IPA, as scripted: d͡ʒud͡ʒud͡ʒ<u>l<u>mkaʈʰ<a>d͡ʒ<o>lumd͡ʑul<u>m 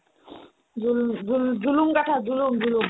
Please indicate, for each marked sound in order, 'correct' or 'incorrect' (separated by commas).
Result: correct, correct, correct, incorrect, correct